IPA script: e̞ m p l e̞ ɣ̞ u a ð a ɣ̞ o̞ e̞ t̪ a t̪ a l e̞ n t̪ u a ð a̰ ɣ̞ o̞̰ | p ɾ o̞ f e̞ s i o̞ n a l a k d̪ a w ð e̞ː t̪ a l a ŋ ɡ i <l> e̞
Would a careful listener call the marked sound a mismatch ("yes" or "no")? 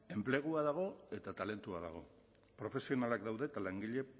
yes